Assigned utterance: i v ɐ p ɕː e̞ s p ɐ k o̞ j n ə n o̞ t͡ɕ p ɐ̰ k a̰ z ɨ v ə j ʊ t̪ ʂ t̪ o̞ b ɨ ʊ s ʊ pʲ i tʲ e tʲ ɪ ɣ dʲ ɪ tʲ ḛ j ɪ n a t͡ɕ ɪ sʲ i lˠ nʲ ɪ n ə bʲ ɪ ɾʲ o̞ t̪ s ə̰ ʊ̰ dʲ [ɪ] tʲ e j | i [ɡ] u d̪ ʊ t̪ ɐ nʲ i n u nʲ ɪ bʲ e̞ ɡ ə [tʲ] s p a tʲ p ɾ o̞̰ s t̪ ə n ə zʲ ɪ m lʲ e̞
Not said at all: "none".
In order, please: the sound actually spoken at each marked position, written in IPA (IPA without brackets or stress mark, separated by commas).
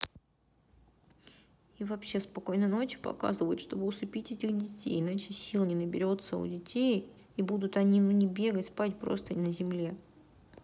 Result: ɪ, b, tʲ